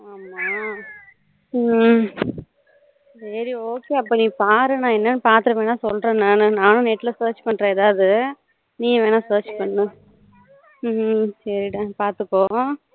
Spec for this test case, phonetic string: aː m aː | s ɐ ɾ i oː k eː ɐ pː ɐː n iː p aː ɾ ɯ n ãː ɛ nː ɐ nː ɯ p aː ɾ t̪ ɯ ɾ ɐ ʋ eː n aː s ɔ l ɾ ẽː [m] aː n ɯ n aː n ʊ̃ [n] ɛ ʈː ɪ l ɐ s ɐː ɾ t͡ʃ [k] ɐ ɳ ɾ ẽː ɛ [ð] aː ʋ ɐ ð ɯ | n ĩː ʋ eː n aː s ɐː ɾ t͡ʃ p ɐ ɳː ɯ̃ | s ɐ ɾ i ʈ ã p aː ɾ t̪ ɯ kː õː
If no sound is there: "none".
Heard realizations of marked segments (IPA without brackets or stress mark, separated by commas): n, n, p, ð